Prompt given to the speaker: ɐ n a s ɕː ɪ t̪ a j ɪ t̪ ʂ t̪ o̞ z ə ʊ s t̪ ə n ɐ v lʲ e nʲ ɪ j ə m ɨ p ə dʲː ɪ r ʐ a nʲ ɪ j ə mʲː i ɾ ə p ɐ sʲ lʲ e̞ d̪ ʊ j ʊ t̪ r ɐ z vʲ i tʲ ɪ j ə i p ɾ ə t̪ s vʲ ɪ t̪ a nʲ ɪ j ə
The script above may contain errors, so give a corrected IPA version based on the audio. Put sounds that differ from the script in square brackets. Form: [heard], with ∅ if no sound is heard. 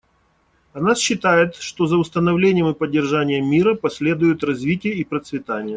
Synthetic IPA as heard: ɐ n a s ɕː ɪ t̪ a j ɪ t̪ ʂ t̪ o̞ z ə ʊ s t̪ ə n ɐ v lʲ e nʲ ɪ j ə m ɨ p ə dʲː ɪ r ʐ a nʲ ɪ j ə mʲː i ɾ ə p ɐ sʲ lʲ e̞ d̪ ʊ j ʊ t̪ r ɐ z vʲ i tʲ ɪ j ə i p ɾ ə t̪ s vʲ ɪ t̪ a nʲ ɪ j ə

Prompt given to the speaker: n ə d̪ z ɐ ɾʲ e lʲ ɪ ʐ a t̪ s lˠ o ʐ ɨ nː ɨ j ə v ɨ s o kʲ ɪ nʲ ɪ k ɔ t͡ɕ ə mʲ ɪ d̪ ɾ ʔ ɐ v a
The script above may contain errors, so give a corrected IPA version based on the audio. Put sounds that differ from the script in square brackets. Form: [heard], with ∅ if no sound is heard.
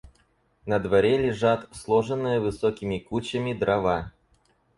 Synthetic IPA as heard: n ə d̪ [v] ɐ ɾʲ e lʲ ɪ ʐ a t̪ s lˠ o ʐ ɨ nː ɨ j ə v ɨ s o kʲ ɪ [mʲ] ɪ k [u] t͡ɕ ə mʲ ɪ d̪ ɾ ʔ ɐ v a

